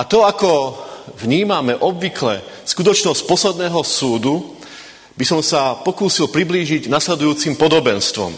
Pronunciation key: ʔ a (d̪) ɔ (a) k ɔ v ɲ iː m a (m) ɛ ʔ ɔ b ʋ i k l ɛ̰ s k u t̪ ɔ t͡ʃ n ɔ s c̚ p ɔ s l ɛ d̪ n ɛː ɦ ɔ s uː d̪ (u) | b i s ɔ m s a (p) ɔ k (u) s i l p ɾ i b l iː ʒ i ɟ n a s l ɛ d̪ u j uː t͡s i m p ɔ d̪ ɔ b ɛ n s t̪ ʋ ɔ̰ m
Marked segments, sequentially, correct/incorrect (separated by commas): incorrect, correct, correct, correct, correct, incorrect